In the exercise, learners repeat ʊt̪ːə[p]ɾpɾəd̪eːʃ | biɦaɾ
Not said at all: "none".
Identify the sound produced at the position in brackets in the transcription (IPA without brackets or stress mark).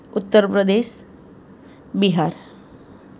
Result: none